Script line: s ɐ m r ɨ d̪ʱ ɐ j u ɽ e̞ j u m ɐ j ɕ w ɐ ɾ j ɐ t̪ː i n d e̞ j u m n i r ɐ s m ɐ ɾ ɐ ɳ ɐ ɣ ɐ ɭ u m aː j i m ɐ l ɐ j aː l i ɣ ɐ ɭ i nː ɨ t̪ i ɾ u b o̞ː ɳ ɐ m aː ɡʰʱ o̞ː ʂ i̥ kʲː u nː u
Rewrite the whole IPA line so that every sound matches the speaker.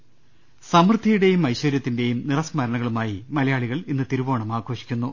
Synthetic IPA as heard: s ɐ m r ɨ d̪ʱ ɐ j u ɽ e̞ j u m ɐ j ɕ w ɐ ɾ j ɐ t̪ː i n d e̞ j u m n i r ɐ s m ɐ ɾ ɐ ɳ ɐ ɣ ɐ ɭ u m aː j i m ɐ l ɐ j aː ɭ i ɣ ɐ ɭ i nː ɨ t̪ i ɾ u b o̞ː ɳ ɐ m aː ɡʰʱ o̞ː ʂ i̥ kʲː u nː u